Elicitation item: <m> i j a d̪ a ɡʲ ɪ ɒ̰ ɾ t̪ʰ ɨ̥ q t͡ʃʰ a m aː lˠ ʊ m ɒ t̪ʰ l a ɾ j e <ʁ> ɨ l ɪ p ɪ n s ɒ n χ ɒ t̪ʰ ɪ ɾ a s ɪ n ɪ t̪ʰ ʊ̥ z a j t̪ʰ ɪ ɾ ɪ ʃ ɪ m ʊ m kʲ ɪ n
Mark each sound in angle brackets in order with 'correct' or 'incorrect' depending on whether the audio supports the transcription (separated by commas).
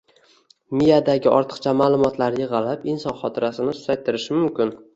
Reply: correct, correct